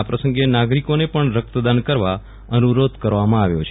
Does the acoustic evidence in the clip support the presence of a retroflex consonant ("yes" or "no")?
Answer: yes